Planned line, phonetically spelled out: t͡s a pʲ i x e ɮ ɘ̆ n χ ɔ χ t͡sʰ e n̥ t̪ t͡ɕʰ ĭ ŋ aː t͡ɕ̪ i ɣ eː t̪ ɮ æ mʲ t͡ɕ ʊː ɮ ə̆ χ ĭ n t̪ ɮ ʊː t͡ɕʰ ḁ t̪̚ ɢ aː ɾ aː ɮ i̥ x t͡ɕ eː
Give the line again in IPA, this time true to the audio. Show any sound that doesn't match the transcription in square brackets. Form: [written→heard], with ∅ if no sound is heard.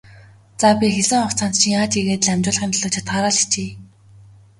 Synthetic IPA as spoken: t͡s a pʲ i x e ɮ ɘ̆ [n→ŋ] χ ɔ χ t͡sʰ [e→a] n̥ t̪ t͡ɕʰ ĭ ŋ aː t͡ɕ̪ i ɣ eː t̪ ɮ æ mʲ t͡ɕ ʊː ɮ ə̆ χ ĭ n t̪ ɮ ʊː t͡ɕʰ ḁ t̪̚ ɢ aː ɾ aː ɮ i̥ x t͡ɕ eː